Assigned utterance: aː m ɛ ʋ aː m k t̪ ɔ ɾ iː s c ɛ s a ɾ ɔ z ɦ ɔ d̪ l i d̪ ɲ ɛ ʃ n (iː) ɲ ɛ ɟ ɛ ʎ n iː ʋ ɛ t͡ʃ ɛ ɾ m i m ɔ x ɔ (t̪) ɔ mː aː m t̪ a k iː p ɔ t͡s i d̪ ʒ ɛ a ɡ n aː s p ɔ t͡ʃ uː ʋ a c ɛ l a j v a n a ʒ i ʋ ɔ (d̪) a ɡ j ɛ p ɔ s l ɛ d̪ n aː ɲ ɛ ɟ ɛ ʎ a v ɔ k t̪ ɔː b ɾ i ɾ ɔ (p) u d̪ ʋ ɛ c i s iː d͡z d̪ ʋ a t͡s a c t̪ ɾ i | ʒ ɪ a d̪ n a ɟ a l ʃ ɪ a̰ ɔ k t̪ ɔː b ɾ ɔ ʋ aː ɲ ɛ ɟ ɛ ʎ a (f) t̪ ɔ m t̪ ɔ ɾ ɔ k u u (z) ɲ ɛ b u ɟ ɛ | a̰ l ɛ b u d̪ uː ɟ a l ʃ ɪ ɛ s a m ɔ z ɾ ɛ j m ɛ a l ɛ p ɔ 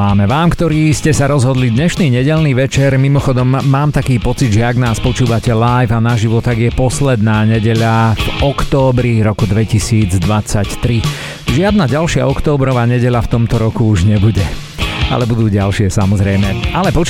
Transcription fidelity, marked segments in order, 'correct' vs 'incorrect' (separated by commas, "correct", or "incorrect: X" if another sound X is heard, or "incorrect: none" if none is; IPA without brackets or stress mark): correct, incorrect: d̪, incorrect: t̪, incorrect: k, correct, incorrect: ʒ